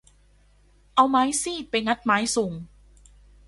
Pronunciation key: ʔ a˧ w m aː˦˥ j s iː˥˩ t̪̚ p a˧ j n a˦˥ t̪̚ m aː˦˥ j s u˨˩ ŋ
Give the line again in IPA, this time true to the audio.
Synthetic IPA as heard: ʔ a˧ w m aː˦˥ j s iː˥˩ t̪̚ p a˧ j ŋ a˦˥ t̪̚ m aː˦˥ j s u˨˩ ŋ